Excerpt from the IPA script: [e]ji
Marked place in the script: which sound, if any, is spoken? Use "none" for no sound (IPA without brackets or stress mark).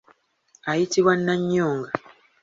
a